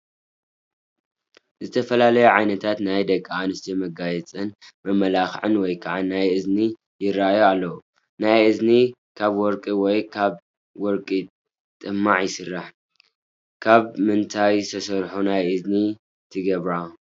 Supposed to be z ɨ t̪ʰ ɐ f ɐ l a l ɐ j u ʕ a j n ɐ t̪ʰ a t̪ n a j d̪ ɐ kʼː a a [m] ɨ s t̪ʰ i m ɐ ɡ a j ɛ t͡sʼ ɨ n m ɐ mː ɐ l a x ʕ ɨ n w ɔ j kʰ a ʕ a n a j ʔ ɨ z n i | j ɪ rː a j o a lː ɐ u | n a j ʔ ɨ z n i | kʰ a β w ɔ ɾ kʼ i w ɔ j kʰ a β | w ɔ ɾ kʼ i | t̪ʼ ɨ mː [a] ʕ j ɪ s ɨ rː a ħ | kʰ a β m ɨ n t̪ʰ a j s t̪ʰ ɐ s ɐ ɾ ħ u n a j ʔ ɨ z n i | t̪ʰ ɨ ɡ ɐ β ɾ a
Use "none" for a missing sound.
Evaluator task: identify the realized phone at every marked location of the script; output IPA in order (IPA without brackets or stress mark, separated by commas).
n, a